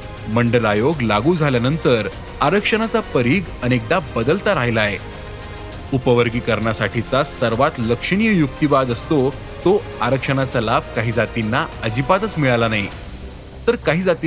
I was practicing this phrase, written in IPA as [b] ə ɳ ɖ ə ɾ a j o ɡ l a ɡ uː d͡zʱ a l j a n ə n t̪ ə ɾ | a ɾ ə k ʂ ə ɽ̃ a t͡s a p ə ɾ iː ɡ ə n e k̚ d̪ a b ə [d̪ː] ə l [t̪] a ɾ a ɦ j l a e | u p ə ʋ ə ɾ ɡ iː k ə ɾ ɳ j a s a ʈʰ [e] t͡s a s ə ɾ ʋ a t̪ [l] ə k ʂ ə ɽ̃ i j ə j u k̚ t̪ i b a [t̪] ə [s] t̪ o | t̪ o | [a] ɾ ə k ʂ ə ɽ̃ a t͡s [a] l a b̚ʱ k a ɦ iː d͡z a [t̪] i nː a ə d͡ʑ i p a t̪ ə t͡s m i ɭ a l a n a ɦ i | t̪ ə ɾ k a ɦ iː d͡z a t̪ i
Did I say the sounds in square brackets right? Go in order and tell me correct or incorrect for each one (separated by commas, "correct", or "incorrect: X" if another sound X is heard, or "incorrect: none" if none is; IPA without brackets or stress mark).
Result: incorrect: m, incorrect: d̪, correct, incorrect: i, correct, incorrect: d̪, correct, correct, correct, correct